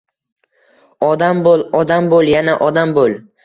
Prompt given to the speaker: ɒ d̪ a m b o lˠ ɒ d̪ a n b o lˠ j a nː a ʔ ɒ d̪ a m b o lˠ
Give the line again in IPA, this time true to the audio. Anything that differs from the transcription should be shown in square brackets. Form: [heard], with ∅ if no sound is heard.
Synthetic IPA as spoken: ɒ d̪ a m b o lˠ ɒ d̪ a [m] b o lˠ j a [n] a ʔ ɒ d̪ a m b o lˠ